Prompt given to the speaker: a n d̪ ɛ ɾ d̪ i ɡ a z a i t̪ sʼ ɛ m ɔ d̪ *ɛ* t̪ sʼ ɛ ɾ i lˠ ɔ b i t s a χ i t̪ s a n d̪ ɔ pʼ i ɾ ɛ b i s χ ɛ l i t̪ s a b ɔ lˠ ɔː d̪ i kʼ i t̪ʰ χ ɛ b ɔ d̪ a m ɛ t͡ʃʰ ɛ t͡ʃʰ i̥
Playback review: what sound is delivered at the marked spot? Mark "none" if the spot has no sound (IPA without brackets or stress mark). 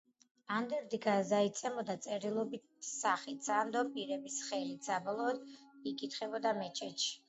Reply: a